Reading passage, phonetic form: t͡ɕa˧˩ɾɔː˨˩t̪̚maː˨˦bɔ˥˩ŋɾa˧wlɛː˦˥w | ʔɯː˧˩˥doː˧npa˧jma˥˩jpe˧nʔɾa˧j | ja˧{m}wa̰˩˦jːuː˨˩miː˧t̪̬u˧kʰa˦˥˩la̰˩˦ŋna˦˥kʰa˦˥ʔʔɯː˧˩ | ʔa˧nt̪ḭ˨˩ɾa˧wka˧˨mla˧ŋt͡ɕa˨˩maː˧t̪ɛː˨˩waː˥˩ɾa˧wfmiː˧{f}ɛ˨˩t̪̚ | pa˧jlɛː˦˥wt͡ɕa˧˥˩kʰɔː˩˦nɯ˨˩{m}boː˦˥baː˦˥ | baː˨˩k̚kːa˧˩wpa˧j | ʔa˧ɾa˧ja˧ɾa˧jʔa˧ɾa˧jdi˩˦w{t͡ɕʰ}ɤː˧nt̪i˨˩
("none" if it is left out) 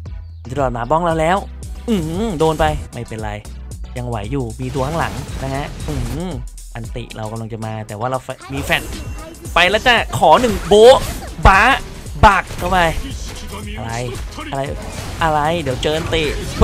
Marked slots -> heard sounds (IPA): ŋ, f, ŋ, t͡ɕ

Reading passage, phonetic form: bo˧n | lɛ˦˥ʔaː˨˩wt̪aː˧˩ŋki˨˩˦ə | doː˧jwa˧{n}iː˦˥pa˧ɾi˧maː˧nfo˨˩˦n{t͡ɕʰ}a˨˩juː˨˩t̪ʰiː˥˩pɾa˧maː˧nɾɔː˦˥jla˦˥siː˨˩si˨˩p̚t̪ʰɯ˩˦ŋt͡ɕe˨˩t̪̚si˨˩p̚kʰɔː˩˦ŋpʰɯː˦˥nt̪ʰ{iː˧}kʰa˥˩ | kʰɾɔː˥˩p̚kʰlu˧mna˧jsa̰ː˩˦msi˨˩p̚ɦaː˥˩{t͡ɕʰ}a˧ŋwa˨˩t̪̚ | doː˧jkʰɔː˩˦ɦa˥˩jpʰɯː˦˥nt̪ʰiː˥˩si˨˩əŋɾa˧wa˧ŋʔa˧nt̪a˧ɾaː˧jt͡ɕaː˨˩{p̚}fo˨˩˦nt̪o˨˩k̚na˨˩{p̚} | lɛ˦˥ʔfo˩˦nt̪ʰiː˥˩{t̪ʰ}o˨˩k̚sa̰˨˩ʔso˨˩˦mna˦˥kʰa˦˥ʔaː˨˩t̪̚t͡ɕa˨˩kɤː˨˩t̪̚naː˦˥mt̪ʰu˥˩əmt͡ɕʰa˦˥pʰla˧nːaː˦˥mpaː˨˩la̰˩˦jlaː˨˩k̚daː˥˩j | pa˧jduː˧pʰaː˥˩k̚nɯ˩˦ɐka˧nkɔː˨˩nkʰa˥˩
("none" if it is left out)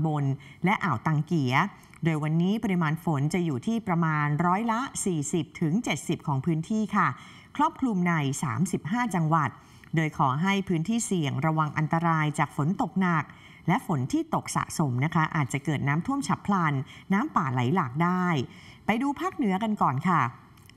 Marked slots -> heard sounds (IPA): nː, t͡ɕ, iː˥˩, t͡ɕ, k̚, k̚, t̪

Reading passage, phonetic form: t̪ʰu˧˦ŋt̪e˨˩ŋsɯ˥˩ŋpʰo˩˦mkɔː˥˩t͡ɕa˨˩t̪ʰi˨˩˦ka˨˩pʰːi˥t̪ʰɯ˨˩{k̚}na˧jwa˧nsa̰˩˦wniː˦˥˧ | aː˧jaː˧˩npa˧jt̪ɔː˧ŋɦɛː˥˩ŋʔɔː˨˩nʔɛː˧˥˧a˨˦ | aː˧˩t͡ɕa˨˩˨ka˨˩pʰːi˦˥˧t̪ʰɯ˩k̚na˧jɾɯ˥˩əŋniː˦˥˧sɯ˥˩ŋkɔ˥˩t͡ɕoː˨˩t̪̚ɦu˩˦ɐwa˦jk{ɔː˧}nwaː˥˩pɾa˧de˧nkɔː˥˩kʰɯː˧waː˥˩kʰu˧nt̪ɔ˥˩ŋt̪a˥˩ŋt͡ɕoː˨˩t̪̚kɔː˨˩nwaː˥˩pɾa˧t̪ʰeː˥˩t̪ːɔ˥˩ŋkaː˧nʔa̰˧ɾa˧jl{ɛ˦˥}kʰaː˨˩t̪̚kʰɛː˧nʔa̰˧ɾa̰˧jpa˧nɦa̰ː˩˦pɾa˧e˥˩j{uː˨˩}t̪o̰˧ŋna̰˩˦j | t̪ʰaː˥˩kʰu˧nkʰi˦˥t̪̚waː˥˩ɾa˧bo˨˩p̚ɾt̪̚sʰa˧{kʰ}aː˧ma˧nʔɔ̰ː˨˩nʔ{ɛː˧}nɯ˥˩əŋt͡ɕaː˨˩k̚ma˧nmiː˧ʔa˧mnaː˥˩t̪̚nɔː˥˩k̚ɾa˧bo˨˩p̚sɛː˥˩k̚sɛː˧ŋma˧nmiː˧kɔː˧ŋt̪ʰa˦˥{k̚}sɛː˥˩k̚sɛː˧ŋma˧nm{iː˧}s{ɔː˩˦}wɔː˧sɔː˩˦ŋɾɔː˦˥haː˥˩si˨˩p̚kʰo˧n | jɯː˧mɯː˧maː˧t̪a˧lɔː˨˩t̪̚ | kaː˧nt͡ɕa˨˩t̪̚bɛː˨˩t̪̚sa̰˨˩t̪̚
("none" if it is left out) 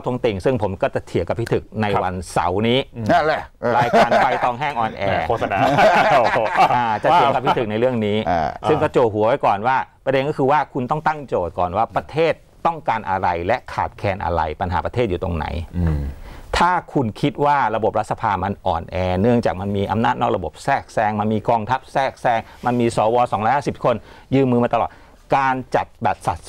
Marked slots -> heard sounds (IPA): k̚, ɔː˨˩, ɛ˦˥, uː˨˩, pʰ, ɛː˧, p̚, iː˧, ɔː˩˦

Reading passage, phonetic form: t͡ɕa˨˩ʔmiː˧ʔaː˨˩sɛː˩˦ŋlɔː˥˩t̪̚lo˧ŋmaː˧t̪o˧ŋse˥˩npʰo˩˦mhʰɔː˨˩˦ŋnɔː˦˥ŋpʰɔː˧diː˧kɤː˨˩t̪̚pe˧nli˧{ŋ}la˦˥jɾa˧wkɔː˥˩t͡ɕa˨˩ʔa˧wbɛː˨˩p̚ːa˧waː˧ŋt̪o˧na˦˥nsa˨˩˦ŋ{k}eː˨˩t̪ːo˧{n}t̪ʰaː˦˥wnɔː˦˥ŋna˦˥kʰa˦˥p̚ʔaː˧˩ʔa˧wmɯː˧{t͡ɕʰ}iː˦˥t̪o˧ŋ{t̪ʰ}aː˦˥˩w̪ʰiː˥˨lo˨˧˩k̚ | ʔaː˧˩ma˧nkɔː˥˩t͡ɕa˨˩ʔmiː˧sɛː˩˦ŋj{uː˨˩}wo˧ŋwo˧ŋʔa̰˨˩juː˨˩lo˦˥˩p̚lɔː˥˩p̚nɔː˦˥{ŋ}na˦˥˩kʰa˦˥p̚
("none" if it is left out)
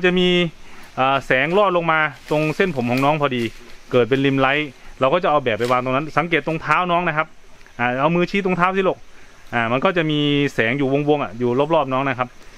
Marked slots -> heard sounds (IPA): m, k, ŋ, t͡ɕʰ, t̪ʰ, uː˨˩, ŋ

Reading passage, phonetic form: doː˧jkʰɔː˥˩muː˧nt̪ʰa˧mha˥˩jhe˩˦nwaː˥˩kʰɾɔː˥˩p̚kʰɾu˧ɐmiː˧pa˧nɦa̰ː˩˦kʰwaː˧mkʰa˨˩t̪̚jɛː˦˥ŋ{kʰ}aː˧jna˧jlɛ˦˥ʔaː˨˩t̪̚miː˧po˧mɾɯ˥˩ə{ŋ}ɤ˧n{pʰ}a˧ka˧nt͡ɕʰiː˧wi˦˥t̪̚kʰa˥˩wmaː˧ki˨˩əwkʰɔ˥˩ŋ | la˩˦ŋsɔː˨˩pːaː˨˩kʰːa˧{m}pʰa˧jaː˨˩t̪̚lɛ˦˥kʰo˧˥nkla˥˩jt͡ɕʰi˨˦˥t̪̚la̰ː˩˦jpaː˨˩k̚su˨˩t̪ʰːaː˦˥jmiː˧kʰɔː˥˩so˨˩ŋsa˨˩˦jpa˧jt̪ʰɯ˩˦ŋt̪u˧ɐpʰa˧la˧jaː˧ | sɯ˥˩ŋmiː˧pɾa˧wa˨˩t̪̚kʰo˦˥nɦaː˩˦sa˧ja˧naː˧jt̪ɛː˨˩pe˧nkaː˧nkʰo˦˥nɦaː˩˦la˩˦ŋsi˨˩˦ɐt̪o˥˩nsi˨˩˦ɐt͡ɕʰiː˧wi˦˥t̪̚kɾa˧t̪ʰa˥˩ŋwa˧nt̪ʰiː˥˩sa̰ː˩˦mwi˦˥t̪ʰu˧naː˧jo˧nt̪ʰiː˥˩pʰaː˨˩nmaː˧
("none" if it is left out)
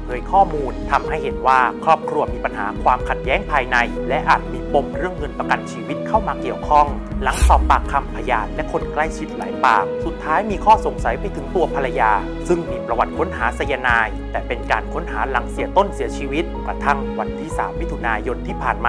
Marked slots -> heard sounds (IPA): pʰ, ŋː, p, m

